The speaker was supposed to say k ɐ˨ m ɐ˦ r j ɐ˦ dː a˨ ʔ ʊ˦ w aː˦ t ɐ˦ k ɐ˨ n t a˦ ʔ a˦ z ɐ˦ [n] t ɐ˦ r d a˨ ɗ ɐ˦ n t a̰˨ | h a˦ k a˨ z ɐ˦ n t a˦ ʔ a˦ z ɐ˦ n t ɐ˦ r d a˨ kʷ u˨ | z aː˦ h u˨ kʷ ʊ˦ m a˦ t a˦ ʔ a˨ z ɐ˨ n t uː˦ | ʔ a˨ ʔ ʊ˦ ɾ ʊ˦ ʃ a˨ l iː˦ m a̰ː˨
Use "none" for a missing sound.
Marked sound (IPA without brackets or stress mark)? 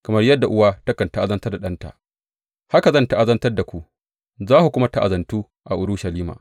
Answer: n